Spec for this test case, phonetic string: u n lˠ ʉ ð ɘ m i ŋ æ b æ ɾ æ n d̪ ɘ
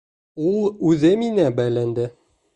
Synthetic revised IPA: u lˠ ʉ ð ɘ m i n æ b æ l æ n d̪ ɘ